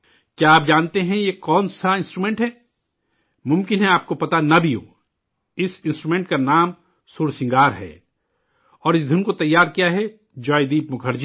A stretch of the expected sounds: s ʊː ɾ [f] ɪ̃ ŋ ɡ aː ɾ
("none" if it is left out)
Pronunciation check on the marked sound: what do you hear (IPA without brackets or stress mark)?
s